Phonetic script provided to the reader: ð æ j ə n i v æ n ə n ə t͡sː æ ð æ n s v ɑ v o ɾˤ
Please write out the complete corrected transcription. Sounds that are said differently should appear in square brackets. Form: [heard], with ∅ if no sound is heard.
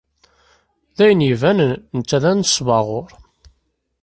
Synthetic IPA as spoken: ð æ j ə n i v æ n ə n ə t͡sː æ ð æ n s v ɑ [ʁ] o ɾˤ

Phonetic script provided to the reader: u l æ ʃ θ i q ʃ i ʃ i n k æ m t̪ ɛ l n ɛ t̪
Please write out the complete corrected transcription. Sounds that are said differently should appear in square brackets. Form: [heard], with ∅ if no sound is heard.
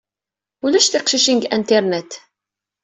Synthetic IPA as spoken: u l æ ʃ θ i q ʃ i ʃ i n [ɡ] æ [n] t̪ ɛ [ɾ] n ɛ t̪

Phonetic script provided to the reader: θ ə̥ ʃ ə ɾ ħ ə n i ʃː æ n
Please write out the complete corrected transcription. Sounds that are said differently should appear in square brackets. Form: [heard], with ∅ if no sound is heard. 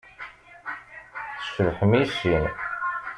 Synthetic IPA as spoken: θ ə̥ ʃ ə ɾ ħ ə [m] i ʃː [i] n

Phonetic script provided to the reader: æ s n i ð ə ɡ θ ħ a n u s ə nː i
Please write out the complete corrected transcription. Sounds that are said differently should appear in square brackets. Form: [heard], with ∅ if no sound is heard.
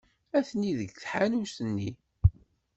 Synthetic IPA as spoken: æ [θ] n i ð ə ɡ θ ħ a n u s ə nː i

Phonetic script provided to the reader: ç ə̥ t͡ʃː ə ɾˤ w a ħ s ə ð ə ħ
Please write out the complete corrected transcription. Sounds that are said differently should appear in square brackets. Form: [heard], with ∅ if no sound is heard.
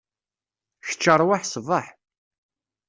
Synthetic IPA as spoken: ç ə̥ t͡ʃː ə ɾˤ w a ħ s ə [v] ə ħ

